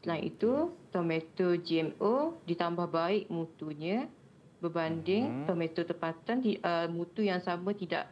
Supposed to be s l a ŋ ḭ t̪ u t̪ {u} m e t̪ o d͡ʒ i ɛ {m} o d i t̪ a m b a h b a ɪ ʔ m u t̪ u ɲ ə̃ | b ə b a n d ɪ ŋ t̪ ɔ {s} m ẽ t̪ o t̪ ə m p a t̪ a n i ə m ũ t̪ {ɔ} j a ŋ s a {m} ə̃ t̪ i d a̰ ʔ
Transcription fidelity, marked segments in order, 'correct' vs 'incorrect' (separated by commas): incorrect, correct, incorrect, incorrect, correct